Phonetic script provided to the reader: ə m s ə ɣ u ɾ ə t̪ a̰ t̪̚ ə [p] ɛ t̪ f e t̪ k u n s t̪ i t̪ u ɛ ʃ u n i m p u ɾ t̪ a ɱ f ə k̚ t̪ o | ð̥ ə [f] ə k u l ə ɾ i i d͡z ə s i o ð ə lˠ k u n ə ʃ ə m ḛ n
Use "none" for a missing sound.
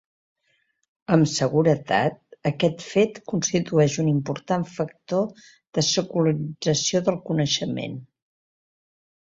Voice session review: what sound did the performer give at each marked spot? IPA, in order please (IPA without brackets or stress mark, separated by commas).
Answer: k, s